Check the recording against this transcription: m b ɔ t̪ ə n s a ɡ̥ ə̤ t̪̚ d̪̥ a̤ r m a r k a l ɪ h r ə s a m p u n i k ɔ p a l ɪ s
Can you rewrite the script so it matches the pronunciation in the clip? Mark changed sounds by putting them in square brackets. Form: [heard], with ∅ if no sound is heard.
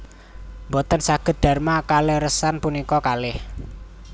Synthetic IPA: m b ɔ t̪ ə n s a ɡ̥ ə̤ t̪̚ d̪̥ a̤ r m a [∅] k a l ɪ h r ə s a [n] p u n i k ɔ [k] a l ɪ [h]

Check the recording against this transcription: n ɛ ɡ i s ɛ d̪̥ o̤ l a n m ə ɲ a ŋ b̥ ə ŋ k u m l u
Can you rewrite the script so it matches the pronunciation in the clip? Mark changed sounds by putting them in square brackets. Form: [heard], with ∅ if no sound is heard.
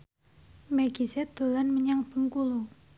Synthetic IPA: [m] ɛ ɡ i s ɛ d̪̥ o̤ l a n m ə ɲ a ŋ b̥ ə ŋ k u [∅] l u

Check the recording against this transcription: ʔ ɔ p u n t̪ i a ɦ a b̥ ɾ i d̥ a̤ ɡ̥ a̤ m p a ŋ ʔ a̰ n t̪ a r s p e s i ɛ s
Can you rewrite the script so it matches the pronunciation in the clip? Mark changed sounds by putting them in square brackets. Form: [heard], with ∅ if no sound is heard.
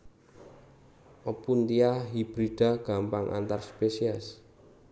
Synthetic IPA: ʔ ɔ p u n t̪ i a ɦ [i] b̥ ɾ i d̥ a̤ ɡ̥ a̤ m p a ŋ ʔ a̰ n t̪ a r s p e s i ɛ s

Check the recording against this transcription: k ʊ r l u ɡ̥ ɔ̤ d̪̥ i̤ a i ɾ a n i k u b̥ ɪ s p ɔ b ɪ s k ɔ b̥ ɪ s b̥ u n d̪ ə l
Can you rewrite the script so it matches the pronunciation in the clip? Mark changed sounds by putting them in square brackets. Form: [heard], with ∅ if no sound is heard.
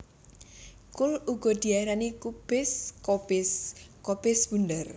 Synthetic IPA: k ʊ [∅] l u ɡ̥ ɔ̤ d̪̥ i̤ a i ɾ a n i k u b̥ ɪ s [k] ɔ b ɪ s k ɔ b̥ ɪ s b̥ u n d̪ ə [r]

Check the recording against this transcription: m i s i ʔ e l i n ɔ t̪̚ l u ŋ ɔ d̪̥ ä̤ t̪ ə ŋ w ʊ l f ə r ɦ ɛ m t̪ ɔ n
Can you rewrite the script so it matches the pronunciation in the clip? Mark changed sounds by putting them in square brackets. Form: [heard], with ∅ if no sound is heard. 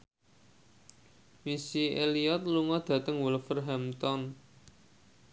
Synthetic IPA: m i s i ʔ e l i [∅] ɔ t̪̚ l u ŋ ɔ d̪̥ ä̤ t̪ ə ŋ w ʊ l f ə r ɦ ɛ m t̪ ɔ n

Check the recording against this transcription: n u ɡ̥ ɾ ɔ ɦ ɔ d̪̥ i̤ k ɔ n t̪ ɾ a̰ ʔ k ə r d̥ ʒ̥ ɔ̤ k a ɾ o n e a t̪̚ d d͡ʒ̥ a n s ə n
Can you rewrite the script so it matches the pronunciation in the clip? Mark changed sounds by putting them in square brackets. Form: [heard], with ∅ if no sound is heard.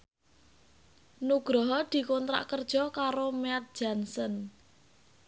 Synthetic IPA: n u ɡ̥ ɾ ɔ ɦ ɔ d̪̥ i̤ k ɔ n t̪ ɾ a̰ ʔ k ə r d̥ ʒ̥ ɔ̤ k a ɾ o [m] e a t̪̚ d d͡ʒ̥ a n s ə n

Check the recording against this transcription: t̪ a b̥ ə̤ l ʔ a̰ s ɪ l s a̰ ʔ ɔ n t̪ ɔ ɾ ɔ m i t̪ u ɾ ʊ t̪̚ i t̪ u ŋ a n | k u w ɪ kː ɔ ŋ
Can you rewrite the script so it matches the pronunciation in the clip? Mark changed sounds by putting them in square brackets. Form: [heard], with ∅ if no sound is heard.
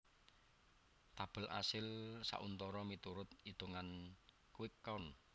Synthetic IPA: t̪ a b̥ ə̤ l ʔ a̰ s ɪ l s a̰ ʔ [u] n t̪ ɔ ɾ ɔ m i t̪ u ɾ ʊ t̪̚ i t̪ u ŋ a n | k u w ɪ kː ɔ [n]

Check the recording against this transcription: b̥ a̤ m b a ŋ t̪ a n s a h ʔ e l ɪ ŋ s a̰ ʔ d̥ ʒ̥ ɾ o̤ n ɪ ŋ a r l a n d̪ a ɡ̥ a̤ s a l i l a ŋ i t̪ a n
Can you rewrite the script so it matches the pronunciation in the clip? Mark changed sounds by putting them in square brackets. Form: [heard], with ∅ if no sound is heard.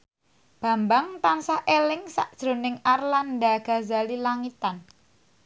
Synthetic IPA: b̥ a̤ m b a ŋ t̪ a n s a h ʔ e l ɪ ŋ s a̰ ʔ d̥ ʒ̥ ɾ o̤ n ɪ ŋ a r l a n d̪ a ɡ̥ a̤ [z] a l i l a ŋ i t̪ a n

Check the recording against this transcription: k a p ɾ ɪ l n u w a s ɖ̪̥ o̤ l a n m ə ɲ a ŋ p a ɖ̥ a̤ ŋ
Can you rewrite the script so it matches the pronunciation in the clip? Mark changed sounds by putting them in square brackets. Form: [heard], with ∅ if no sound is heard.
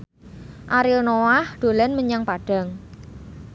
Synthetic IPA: [ʔ] a [∅] ɾ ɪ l n [o] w a [h] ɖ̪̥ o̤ l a n m ə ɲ a ŋ p a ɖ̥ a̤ ŋ

